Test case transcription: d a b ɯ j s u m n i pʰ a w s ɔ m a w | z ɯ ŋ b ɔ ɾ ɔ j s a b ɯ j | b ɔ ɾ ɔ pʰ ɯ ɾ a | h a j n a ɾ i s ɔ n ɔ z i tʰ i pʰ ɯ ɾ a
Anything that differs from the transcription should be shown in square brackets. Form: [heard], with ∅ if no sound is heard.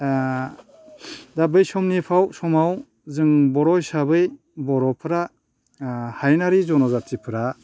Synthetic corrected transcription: d a b ɯ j s [ɔ] m n i pʰ a w s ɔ m a w | z ɯ ŋ b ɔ ɾ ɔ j s a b ɯ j | b ɔ ɾ ɔ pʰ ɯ ɾ a | h a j n a ɾ i [z] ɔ n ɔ z [a] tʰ i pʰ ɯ ɾ a